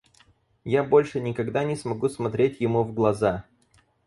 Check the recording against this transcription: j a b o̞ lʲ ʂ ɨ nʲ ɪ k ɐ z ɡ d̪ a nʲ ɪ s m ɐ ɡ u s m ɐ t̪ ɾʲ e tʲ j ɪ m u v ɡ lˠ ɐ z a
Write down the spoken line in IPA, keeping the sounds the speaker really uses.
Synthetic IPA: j a b o̞ lʲ ʂ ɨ nʲ ɪ k ɐ ɡ d̪ a nʲ ɪ s m ɐ ɡ u s m ɐ t̪ ɾʲ e tʲ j ɪ m u v ɡ lˠ ɐ z a